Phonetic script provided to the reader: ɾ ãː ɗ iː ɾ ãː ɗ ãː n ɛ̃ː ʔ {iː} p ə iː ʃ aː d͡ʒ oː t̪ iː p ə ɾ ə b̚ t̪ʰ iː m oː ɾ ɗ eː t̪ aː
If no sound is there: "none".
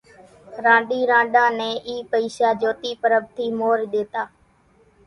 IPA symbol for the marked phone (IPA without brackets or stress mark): iː